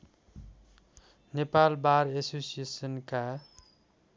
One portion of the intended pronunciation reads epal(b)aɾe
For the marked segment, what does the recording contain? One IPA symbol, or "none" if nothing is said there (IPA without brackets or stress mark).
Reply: b